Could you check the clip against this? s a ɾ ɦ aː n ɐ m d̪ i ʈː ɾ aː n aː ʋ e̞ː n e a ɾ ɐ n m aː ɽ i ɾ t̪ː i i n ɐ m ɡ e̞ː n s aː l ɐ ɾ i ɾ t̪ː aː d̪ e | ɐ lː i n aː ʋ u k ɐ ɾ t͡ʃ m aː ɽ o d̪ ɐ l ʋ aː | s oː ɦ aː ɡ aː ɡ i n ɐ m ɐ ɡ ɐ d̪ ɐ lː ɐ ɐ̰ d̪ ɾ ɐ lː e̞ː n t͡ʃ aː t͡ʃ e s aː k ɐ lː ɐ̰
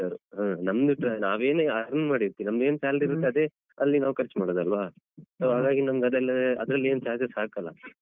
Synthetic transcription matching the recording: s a ɾ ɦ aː n ɐ m d̪ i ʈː ɾ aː n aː ʋ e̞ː n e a ɾ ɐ n m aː ɽ i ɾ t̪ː i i n ɐ m ɡ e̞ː n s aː l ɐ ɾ i ɾ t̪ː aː d̪ e | ɐ lː i n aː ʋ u k ɐ ɾ t͡ʃ m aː ɽ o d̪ ɐ l ʋ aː | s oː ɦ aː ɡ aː ɡ i n ɐ m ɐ ɡ ɐ d̪ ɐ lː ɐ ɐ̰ d̪ ɾ ɐ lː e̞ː n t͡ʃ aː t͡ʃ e s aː k ɐ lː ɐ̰